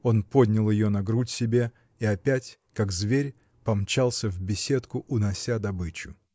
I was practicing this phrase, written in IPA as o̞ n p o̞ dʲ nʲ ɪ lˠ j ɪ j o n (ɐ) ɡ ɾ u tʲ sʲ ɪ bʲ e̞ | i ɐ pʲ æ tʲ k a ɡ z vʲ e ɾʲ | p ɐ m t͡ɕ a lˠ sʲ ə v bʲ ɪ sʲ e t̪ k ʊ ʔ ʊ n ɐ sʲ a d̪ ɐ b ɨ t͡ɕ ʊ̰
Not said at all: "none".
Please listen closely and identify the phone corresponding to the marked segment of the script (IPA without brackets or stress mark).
ɐ